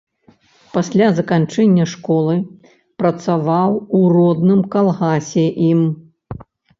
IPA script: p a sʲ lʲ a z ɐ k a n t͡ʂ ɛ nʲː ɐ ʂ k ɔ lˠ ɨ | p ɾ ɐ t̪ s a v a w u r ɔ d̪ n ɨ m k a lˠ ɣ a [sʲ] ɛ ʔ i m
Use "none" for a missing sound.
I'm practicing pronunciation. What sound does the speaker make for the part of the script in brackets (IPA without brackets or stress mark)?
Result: sʲ